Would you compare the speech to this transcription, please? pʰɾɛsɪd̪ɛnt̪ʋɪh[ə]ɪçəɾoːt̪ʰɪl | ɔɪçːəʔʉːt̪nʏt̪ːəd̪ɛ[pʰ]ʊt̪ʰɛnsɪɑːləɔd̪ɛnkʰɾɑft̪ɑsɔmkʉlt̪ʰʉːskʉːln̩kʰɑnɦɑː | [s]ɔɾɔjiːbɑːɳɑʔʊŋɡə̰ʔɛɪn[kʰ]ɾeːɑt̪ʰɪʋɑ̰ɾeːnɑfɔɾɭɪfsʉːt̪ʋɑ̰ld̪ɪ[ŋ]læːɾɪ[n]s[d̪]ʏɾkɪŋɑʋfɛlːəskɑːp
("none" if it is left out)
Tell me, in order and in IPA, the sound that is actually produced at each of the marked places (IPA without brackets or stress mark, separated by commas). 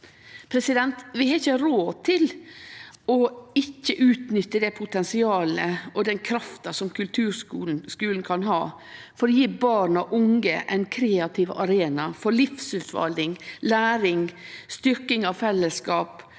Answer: ɑ, pʰ, f, kʰ, ŋ, ŋ, t̪